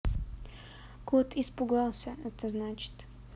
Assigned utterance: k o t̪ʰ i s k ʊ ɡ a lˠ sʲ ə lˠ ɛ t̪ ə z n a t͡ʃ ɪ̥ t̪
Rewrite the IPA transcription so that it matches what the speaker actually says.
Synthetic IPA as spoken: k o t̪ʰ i s p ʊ ɡ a lˠ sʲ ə ɛ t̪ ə z n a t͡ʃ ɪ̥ t̪

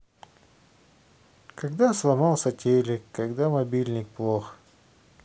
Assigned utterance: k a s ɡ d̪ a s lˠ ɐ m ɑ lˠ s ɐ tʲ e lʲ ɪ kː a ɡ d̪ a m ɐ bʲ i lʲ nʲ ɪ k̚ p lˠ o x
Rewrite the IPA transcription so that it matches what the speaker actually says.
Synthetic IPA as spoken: k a ɡ d̪ a s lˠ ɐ m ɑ lˠ s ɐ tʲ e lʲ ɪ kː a ɡ d̪ a m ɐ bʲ i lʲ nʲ ɪ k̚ p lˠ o x

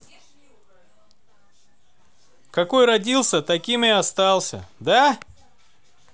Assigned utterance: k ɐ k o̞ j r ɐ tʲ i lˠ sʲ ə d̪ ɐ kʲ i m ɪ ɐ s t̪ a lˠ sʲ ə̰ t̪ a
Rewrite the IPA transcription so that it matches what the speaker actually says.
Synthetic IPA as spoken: k ɐ k o̞ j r ɐ dʲ i lˠ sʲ ə t̪ ɐ kʲ i m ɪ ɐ s t̪ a lˠ sʲ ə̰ d̪ a

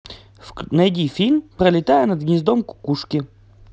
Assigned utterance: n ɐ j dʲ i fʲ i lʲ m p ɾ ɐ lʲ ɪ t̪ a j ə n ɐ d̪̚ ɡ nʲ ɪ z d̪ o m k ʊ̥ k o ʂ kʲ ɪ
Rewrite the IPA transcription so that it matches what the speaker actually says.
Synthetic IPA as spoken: n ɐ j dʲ i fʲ i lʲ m p ɾ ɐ lʲ ɪ t̪ a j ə n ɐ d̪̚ ɡ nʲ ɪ z d̪ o m k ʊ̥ k u ʂ kʲ ɪ

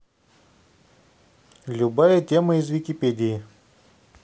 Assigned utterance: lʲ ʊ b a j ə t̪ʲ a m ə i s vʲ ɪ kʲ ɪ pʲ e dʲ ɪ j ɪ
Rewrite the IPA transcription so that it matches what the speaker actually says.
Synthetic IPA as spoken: lʲ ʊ b a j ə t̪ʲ e m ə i z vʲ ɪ kʲ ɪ pʲ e dʲ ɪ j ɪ

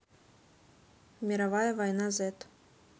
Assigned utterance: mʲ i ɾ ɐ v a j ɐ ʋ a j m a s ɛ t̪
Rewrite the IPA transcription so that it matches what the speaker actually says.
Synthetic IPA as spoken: mʲ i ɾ a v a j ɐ v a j n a z ɛ t̪

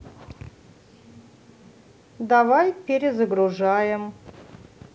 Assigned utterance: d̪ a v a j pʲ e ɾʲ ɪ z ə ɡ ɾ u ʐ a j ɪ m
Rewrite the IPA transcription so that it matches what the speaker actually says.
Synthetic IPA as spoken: d̪ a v a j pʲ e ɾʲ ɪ z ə ɡ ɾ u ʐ a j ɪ m

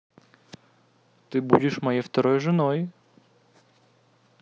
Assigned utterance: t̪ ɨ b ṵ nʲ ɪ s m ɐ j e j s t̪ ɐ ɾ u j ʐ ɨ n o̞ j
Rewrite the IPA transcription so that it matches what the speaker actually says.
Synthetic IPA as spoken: t̪ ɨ b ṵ dʲ ɪ ʂ m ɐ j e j f t̪ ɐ ɾ o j ʐ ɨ n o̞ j

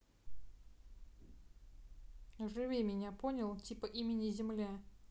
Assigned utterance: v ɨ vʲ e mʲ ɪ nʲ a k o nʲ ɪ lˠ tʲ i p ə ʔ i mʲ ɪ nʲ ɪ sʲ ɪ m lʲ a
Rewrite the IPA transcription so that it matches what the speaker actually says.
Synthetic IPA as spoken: ʐ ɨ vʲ e mʲ ɪ nʲ a p o nʲ ɪ lˠ tʲ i p ə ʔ i mʲ ɪ nʲ ɪ zʲ ɪ m lʲ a

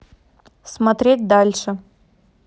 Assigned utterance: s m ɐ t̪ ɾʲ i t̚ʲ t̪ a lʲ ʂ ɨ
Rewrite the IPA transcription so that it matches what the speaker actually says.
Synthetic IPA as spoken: s m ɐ t̪ ɾʲ e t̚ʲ d̪ a lʲ ʂ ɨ

